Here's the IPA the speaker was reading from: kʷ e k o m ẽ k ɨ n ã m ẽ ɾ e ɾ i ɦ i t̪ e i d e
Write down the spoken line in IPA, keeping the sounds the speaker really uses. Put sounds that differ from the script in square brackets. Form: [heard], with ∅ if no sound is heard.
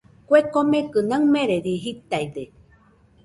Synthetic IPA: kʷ e k o m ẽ k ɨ n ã m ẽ ɾ e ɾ i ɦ i t̪ [a] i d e